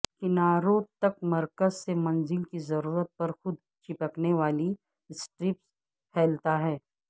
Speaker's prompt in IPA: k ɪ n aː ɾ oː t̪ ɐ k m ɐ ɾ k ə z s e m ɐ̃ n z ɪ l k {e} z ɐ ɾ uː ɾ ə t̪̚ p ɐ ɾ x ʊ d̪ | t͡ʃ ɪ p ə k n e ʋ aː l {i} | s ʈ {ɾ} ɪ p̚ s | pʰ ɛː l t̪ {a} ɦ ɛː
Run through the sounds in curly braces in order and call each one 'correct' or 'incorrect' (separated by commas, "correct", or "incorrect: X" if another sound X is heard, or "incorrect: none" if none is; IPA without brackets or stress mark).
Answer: incorrect: i, correct, correct, correct